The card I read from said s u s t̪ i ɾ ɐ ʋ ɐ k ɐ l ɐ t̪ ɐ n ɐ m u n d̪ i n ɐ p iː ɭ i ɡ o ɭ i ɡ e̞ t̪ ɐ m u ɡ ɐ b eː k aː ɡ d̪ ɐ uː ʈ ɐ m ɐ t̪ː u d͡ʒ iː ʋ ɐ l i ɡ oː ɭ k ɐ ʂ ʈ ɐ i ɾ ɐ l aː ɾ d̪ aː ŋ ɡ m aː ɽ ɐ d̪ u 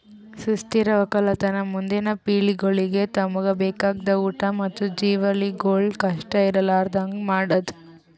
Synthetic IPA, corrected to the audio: s u s t̪ i ɾ ɐ ʋ ɐ k ɐ l ɐ t̪ ɐ n ɐ m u n d̪ i n ɐ p iː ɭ i ɡ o ɭ i ɡ e̞ t̪ ɐ m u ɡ ɐ b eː k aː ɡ d̪ ɐ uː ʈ ɐ m ɐ t̪ː u d͡ʒ iː ʋ ɐ l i ɡ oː ɭ k ɐ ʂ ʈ ɐ i ɾ ɐ l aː ɾ d̪ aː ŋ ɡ m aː ɽ ɐ d̪ u